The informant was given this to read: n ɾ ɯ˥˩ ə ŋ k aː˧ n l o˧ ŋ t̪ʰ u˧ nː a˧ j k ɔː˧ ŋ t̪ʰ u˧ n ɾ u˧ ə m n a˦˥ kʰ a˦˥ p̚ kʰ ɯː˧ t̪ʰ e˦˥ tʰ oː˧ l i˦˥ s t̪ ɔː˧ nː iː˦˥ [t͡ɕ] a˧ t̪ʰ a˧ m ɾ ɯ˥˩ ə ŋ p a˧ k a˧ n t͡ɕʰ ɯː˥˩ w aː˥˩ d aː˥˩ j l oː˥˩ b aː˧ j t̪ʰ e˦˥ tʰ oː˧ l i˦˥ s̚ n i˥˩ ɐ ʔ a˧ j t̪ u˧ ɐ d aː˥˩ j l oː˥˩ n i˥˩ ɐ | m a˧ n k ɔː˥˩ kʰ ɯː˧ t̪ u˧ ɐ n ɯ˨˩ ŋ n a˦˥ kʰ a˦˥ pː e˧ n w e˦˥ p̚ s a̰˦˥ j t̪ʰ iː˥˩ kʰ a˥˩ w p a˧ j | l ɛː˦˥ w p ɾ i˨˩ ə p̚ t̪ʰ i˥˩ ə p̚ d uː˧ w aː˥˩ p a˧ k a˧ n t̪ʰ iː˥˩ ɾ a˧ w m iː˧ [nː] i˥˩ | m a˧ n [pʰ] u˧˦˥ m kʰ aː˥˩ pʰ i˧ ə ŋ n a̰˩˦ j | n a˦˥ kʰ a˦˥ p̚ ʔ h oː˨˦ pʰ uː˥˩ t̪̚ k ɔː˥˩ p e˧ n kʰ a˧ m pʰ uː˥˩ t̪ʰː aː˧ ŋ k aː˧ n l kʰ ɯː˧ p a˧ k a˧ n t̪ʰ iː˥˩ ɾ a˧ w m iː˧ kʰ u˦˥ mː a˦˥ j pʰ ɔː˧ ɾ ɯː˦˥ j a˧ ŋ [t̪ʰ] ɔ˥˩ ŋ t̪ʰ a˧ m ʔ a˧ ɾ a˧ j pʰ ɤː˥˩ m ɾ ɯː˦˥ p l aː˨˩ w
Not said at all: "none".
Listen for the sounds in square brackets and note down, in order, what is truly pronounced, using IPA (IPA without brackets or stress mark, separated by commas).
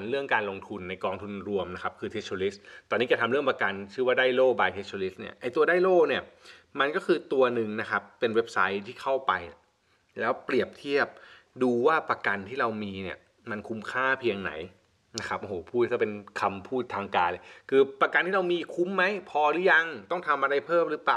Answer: t͡ɕ, n, kʰ, t̪